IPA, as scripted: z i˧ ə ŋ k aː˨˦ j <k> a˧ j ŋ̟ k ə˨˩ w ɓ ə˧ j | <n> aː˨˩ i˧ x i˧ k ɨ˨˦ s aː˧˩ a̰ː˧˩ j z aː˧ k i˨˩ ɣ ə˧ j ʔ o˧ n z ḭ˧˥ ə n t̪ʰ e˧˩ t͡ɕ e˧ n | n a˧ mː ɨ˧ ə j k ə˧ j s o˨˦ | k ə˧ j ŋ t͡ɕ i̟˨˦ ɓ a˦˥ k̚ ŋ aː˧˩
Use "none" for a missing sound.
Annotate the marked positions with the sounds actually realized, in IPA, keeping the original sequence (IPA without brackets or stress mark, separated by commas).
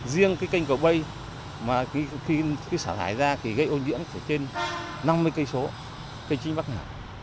k, m